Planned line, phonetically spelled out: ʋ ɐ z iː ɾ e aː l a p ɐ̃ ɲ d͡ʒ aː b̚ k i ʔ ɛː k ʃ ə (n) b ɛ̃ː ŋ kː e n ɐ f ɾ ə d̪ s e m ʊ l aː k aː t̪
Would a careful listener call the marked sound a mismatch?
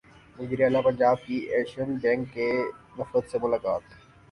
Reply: no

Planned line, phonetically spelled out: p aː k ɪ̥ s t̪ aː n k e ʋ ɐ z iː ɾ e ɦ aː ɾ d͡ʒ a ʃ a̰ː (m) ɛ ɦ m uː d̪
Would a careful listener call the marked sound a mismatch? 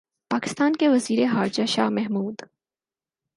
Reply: no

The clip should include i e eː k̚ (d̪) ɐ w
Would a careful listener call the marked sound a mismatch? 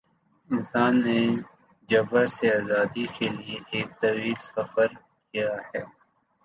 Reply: yes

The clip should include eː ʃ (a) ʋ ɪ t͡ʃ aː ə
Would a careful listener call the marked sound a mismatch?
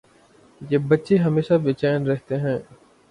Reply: no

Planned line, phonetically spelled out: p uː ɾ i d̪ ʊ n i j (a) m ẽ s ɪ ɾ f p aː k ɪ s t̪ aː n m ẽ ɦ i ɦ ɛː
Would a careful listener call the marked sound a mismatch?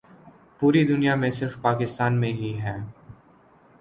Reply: no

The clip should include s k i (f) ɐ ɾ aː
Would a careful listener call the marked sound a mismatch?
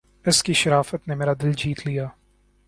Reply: yes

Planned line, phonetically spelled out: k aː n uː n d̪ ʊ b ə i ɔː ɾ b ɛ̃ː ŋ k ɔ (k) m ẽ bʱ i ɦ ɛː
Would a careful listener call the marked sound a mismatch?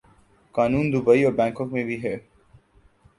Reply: no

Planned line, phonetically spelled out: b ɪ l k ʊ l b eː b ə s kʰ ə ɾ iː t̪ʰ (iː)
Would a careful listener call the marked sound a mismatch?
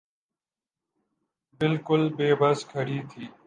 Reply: no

